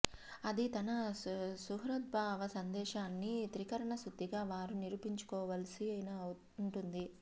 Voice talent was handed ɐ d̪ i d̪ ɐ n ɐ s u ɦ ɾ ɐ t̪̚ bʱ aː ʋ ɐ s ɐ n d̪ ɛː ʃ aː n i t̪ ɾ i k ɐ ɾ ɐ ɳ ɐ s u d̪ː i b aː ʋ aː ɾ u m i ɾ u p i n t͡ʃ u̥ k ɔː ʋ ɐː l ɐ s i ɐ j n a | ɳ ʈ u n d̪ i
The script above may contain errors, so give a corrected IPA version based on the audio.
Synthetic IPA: ɐ d̪ i t̪ ɐ n ɐ s u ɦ ɾ ɐ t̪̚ bʱ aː ʋ ɐ s ɐ n d̪ ɛː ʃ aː nː i t̪ ɾ i k ɐ ɾ ɐ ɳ ɐ s u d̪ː i ɡ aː ʋ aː ɾ u n i ɾ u p i ɲ t͡ʃ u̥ k ɔː ʋ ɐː l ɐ s i ɐ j n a | ɳ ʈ u n d̪ i

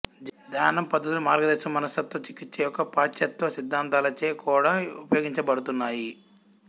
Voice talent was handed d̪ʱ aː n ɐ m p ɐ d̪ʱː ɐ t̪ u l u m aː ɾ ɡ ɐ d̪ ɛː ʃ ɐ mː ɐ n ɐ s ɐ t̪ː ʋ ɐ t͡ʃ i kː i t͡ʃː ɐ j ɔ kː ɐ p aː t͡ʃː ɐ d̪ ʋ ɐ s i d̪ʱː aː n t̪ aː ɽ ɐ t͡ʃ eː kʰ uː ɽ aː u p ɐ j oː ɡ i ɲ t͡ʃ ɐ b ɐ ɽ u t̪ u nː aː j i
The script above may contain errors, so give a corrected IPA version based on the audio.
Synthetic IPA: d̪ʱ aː n ɐ m p ɐ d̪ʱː ɐ t̪ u l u m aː ɾ ɡ ɐ d̪ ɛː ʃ ɐ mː ɐ n ɐ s ɐ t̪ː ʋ ɐ t͡ʃ i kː i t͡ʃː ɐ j ɔ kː ɐ p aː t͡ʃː ɐ t̪ ʋ ɐ s i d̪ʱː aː n t̪ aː l ɐ t͡ʃ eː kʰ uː ɽ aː u p ɐ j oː ɡ i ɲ t͡ʃ ɐ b ɐ ɽ u t̪ u nː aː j i

